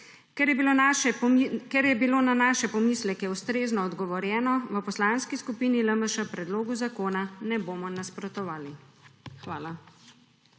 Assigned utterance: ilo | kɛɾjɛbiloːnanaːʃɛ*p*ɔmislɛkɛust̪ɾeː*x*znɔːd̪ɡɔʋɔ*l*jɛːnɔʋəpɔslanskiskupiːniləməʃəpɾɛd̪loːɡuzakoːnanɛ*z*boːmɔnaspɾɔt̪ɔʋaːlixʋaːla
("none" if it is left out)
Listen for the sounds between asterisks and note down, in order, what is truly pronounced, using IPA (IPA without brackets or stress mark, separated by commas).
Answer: p, none, ɾ, none